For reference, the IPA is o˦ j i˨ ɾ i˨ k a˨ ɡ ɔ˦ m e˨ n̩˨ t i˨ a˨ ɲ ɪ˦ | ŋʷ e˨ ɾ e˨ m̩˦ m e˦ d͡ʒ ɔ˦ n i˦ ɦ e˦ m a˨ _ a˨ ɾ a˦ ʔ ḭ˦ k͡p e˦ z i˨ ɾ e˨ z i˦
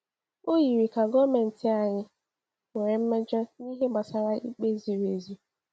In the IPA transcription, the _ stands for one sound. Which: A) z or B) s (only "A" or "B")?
B